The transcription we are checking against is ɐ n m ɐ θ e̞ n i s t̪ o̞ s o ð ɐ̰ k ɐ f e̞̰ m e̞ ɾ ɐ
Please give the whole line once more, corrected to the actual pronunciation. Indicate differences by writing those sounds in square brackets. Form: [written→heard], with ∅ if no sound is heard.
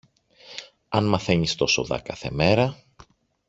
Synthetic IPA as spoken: ɐ n m ɐ θ e̞ [n→ɲ] i s t̪ o̞ s o ð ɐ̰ k ɐ [f→θ] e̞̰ m e̞ ɾ ɐ